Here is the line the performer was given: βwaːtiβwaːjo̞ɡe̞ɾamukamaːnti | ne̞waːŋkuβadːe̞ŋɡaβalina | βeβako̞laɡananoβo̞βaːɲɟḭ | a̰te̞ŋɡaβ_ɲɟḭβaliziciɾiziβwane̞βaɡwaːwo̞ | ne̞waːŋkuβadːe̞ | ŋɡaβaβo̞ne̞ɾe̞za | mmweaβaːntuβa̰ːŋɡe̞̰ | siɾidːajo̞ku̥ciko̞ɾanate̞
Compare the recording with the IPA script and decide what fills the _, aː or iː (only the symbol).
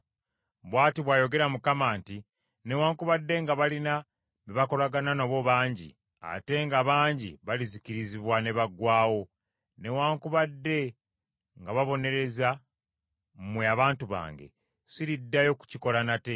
aː